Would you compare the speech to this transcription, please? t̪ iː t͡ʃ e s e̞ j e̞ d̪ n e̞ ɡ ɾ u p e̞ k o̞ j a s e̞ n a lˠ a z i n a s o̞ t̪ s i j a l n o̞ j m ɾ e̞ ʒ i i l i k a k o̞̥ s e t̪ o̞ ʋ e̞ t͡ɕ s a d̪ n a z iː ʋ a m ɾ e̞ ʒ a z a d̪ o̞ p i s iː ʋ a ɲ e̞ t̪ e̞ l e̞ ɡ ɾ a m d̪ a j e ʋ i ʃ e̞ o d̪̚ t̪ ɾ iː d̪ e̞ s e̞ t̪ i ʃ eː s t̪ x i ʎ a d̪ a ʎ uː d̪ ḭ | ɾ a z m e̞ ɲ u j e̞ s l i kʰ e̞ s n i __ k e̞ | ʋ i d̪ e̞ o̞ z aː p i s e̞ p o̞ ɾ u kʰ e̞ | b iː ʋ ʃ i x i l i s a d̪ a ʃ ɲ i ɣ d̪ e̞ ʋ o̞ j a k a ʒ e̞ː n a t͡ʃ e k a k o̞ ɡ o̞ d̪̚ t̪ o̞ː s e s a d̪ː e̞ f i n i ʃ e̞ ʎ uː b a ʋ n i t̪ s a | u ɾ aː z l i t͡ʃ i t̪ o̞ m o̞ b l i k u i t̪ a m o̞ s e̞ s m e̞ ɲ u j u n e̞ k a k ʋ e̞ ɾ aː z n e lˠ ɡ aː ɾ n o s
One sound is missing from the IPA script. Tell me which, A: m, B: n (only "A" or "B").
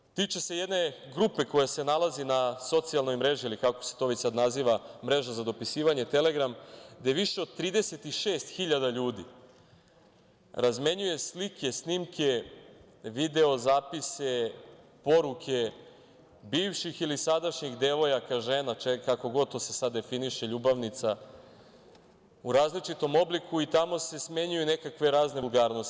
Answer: A